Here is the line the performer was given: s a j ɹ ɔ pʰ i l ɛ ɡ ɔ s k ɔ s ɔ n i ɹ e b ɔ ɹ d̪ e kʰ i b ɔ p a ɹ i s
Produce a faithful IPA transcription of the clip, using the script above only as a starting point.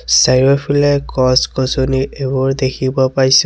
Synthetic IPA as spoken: s a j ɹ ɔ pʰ i l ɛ k ɔ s k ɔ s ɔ n i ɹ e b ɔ ɹ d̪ e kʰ i b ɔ p a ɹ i s